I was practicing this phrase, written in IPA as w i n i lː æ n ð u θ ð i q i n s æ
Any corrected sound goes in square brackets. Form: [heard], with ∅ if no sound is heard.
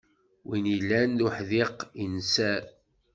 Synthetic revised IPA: w i n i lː æ n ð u [ħ] ð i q i n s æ